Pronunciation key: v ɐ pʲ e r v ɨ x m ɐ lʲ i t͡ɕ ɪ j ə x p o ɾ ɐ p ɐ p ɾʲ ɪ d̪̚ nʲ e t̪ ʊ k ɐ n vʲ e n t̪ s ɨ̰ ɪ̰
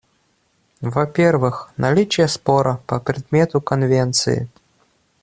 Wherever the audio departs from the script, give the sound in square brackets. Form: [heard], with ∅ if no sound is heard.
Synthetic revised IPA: v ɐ pʲ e r v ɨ x [n] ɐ lʲ i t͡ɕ ɪ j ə [s] p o ɾ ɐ p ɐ p ɾʲ ɪ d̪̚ [mʲ] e t̪ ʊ k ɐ n vʲ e n t̪ s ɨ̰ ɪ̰